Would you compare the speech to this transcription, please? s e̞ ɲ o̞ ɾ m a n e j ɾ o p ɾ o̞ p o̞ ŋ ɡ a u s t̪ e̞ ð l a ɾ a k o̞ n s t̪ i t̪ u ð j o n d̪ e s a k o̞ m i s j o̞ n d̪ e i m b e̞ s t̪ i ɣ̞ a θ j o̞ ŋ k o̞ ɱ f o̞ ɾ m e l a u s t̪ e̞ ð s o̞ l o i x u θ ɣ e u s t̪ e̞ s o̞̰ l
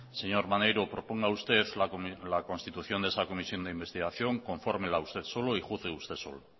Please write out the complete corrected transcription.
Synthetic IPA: s e̞ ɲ o̞ ɾ m a n e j ɾ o p ɾ o̞ p o̞ ŋ ɡ a u s t̪ e̞ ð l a l a k o̞ n s t̪ i t̪ u θ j o n d̪ e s a k o̞ m i s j o̞ n d̪ e i m b e̞ s t̪ i ɣ̞ a θ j o̞ ŋ k o̞ ɱ f o̞ ɾ m e l a u s t̪ e̞ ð s o̞ l o i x u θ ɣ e u s t̪ e̞ s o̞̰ l